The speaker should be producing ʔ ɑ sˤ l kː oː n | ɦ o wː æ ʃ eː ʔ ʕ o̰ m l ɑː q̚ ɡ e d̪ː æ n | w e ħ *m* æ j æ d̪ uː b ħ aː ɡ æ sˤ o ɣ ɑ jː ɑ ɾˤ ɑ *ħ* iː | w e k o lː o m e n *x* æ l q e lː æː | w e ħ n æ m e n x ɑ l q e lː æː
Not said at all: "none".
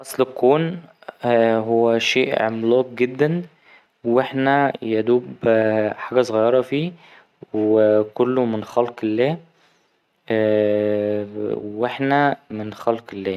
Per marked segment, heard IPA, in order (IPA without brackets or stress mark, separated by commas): n, f, x